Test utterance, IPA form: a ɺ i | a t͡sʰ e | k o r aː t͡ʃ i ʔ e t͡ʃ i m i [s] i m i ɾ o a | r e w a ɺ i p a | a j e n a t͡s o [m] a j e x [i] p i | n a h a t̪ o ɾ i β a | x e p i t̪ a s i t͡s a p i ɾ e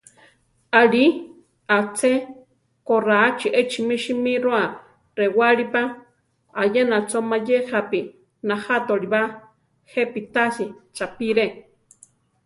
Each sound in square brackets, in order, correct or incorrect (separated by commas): incorrect, correct, incorrect